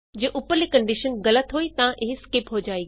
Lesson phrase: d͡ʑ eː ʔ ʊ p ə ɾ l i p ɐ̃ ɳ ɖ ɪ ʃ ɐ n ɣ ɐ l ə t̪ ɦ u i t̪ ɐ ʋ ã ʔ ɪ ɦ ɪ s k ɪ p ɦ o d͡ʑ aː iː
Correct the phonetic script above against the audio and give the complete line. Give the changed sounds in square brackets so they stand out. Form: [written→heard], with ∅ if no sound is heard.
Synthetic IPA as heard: d͡ʑ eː ʔ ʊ p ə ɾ l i [p→k] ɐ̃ ɳ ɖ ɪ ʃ [ɐ→ə] n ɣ ɐ l ə t̪ ɦ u i t̪ ɐ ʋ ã ʔ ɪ ɦ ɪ s k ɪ p ɦ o d͡ʑ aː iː